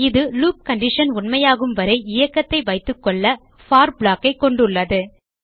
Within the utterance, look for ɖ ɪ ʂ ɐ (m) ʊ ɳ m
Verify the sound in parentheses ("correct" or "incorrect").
incorrect